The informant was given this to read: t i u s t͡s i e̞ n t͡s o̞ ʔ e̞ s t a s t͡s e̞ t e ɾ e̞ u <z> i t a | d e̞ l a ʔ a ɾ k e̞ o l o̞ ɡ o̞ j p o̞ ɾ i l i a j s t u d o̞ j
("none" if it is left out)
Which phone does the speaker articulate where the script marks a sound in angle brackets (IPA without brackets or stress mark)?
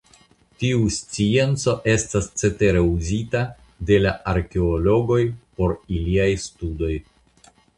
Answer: z